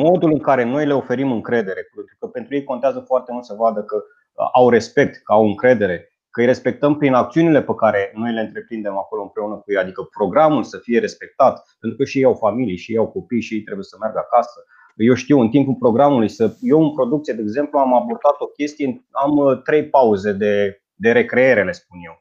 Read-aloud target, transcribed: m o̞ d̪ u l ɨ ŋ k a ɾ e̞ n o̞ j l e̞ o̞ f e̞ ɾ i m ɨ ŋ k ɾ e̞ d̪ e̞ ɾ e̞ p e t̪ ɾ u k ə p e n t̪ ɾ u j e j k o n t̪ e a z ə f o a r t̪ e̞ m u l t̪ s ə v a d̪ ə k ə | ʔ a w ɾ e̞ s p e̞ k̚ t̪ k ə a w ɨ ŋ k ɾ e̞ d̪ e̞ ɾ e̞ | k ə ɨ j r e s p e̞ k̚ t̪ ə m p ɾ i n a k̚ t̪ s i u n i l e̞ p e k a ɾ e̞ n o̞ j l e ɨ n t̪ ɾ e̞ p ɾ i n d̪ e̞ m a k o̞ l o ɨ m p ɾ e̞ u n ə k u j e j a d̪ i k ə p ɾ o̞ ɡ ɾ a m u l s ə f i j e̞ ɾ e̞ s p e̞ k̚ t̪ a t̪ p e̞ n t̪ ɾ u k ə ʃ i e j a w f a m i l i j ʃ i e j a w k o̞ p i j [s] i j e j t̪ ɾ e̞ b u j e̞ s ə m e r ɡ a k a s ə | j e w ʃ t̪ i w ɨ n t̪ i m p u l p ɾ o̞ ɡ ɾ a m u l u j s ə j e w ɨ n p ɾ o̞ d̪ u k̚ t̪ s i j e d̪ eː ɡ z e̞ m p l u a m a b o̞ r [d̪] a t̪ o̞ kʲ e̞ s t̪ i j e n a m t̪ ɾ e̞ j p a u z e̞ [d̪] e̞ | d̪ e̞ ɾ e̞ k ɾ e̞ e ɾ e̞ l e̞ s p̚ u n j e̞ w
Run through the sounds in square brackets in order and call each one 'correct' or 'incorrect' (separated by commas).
incorrect, correct, correct